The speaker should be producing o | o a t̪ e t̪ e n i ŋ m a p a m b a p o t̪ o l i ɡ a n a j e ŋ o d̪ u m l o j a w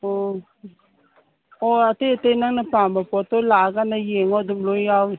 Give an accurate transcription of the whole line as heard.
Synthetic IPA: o | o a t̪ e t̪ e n a ŋ n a p a m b a p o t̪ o l a ɡ a n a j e ŋ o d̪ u m l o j a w